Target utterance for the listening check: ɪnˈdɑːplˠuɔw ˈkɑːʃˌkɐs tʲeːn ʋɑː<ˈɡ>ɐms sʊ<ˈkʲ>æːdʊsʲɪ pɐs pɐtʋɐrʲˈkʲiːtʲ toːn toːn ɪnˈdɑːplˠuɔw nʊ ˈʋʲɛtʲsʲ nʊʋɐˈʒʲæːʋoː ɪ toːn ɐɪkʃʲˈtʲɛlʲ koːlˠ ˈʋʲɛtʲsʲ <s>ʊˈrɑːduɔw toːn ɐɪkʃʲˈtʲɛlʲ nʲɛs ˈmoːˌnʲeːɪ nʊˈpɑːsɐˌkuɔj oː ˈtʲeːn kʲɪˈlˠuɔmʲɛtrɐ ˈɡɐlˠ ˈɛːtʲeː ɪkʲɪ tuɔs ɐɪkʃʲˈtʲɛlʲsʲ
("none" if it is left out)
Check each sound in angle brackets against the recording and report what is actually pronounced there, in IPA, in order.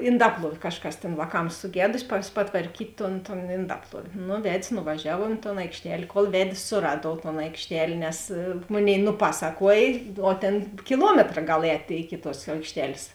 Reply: k, ɡʲ, s

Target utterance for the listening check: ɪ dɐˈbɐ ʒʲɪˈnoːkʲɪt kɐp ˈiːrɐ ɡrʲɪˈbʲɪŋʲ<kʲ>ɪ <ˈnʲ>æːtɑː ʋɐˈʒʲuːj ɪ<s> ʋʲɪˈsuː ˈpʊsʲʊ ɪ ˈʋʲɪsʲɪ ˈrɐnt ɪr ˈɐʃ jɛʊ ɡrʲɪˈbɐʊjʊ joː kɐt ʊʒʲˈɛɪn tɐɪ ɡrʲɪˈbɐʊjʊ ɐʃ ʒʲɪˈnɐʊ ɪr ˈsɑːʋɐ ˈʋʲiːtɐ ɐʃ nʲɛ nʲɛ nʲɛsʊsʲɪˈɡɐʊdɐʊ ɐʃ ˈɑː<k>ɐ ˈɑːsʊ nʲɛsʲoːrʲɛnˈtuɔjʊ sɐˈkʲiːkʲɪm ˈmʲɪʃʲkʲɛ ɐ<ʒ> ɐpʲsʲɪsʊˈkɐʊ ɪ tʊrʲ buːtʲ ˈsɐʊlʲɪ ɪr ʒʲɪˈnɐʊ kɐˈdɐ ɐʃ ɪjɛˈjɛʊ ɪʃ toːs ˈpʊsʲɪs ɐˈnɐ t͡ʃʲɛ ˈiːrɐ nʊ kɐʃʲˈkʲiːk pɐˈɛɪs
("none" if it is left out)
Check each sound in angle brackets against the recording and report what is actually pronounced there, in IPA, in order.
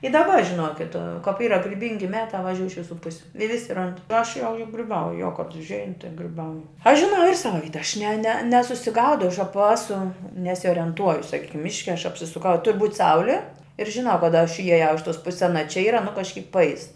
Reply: ɡʲ, mʲ, ʃ, p, ʃ

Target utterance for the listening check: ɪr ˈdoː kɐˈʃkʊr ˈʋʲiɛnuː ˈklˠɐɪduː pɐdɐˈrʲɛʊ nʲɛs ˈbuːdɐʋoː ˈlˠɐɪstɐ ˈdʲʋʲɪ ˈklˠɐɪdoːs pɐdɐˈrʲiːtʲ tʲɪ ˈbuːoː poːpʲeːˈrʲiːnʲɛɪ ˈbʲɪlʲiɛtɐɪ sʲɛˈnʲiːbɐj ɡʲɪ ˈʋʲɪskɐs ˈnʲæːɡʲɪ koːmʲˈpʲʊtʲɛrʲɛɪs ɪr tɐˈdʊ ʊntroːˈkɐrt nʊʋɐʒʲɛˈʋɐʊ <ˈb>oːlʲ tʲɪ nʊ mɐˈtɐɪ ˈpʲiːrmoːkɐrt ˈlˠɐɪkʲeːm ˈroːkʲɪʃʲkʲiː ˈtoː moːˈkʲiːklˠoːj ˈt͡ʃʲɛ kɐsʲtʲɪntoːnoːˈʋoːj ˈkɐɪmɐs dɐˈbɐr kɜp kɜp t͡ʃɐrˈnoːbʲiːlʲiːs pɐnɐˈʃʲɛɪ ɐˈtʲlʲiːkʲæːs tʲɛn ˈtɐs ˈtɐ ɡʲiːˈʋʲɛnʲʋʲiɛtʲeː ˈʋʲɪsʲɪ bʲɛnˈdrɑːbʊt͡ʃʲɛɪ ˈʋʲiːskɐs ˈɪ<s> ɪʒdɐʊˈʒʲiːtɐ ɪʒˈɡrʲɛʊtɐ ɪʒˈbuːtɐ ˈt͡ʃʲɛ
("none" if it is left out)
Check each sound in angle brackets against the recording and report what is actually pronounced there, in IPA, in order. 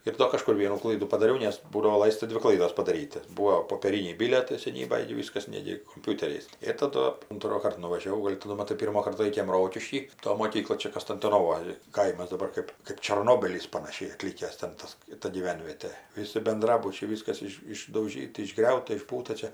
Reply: ɡ, ʃ

